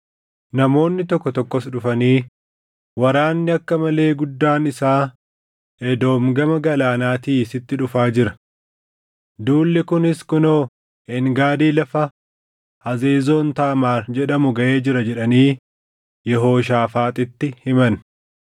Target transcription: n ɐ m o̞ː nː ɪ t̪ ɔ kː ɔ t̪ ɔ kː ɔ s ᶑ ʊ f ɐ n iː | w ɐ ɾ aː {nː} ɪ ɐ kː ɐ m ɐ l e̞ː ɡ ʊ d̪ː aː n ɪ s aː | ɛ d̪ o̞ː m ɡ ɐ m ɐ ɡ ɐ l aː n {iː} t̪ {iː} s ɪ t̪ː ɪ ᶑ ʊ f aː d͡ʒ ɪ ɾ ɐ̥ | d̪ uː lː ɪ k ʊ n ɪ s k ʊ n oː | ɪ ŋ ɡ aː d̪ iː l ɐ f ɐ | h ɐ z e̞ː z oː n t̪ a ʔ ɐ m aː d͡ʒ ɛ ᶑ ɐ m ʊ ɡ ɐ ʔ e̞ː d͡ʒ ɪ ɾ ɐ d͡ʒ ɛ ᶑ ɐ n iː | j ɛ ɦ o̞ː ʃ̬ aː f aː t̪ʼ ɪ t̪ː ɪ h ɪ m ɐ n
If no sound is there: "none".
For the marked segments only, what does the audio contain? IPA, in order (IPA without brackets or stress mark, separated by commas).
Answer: nː, aː, iː